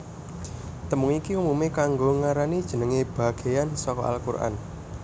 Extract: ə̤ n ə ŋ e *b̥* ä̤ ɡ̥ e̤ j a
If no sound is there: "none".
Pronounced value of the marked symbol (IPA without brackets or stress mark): b̥